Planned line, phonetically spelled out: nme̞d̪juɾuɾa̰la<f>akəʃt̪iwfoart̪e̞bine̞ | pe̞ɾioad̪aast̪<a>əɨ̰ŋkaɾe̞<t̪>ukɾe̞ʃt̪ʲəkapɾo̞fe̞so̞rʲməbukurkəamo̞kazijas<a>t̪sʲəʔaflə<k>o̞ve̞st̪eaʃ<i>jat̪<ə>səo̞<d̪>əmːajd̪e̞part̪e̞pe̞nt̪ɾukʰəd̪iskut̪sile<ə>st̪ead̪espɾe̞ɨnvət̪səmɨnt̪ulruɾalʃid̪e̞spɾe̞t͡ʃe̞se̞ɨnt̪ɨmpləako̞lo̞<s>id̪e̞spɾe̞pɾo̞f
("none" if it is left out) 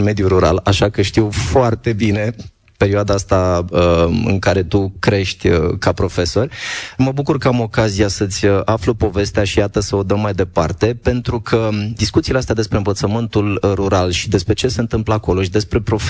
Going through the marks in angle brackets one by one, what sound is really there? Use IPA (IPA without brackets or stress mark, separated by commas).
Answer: ʃ, a, t̪, ə, p, i, ə, d̪, a, ʃ